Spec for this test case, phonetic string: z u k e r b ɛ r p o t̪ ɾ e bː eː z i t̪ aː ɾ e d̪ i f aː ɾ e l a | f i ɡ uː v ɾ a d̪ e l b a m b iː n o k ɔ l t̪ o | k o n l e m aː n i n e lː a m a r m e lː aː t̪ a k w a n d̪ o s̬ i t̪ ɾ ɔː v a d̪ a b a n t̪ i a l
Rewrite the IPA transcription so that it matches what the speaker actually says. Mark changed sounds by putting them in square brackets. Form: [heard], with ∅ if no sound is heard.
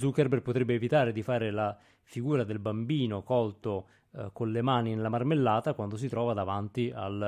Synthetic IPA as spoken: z u k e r b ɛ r p o t̪ ɾ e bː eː [v] i t̪ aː ɾ e d̪ i f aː ɾ e l a | f i ɡ uː [∅] ɾ a d̪ e l b a m b iː n o k ɔ l t̪ o | k o n l e m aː n i n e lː a m a r m e lː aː t̪ a k w a n d̪ o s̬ i t̪ ɾ ɔː v a d̪ a [v] a n t̪ i a l